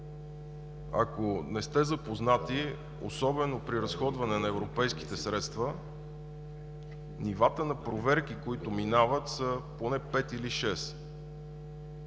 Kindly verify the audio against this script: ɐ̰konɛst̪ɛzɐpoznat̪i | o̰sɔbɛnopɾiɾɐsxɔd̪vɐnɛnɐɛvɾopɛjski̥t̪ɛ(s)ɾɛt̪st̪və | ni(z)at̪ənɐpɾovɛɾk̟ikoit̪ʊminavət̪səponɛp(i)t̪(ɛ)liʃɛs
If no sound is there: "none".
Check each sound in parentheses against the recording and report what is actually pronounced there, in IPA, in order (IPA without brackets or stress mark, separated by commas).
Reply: s, v, ɛ, i